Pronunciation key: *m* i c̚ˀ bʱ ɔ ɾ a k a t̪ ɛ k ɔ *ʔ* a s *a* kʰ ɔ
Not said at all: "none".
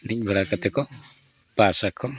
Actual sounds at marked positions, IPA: n, p, a

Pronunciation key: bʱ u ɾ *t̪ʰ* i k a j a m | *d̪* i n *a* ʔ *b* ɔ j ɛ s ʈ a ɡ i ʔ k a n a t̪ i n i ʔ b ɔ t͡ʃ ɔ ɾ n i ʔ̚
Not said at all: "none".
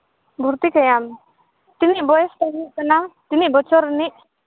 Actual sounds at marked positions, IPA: t̪, t̪, i, b

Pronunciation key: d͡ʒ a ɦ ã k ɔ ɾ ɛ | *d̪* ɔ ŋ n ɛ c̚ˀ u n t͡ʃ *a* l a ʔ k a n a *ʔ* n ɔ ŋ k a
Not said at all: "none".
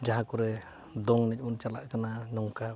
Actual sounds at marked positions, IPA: d̪, a, none

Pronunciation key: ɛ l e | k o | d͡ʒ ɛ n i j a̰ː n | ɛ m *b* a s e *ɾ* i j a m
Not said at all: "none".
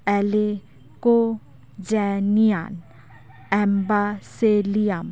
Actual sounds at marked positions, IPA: b, l

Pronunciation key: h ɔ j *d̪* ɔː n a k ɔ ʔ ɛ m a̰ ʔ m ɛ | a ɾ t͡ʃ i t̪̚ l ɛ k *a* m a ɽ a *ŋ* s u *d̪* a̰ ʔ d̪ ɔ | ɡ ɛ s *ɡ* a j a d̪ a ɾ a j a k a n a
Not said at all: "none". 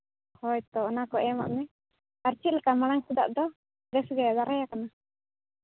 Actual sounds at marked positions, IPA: t̪, a, ŋ, d̪, ɡ

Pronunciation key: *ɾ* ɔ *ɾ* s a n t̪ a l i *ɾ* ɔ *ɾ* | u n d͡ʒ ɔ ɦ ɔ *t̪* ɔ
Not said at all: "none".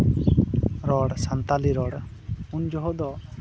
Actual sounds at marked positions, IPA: ɾ, ɽ, ɾ, ɽ, d̪

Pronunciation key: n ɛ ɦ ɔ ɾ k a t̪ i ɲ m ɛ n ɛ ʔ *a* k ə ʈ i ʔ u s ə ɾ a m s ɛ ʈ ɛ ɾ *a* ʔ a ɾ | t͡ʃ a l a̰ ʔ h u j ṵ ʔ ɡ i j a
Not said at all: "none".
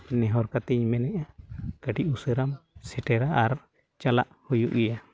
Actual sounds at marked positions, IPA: a, a

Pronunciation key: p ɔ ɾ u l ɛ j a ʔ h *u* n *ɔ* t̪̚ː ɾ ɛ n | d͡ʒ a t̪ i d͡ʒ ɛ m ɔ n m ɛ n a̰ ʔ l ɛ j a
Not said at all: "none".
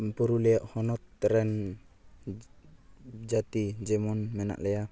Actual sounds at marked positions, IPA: ɔ, ɔ

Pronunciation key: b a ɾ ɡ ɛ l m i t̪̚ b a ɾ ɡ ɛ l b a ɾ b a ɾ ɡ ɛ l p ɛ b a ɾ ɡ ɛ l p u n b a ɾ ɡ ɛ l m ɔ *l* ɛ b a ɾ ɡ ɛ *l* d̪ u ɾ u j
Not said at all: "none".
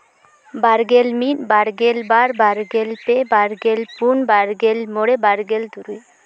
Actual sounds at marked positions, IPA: ɽ, l

